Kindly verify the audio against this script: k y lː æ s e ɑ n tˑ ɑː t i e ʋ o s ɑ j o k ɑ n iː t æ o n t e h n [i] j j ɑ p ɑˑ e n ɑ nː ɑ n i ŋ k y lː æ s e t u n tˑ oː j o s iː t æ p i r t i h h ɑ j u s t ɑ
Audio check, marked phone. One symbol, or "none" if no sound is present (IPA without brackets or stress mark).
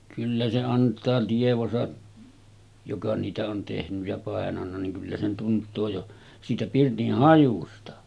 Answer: y